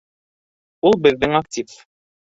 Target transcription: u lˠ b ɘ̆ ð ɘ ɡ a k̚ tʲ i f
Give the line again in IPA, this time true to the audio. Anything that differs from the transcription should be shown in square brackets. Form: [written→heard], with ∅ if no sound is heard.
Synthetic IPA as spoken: u lˠ b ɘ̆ [ð→ðː] ɘ [ɡ→ŋ] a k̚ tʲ i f